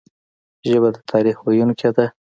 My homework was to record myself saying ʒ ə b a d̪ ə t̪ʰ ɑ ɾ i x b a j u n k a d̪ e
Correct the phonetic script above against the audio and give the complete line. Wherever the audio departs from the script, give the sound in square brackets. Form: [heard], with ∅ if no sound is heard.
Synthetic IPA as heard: ʒ ə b a d̪ ə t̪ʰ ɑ ɾ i x [w] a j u n k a d̪ [a]